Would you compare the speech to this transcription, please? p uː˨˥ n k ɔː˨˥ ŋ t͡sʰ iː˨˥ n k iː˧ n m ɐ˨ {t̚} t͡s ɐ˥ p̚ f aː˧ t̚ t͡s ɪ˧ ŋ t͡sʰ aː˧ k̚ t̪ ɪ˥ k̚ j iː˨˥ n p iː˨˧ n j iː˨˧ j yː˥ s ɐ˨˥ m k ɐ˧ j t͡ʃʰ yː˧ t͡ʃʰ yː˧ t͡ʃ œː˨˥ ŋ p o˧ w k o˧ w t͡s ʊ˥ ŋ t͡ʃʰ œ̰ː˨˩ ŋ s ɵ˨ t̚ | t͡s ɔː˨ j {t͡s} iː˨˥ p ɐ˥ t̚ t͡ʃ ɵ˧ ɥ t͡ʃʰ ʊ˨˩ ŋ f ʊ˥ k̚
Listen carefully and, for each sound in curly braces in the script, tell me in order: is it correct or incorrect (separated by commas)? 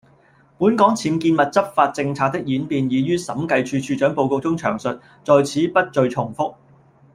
correct, incorrect